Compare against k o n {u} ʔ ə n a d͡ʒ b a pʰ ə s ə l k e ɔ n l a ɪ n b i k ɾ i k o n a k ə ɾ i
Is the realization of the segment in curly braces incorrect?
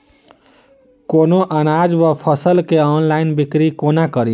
yes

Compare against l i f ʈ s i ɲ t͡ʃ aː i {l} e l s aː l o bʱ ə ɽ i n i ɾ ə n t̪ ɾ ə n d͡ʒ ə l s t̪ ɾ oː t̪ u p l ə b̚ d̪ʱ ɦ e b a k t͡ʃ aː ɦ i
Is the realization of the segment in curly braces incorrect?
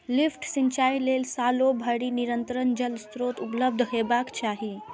no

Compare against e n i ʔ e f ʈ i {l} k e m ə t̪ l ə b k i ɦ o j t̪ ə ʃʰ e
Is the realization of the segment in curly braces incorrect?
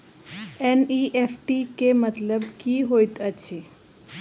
yes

